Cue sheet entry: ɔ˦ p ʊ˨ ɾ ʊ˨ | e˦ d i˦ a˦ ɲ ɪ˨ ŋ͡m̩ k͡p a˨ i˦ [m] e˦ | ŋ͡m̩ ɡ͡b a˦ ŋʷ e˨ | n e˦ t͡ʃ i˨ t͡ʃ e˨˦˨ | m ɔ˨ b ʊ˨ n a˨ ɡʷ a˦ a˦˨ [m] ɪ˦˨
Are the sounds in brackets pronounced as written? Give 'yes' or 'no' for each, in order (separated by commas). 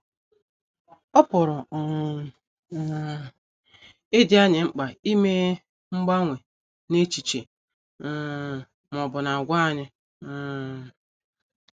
yes, no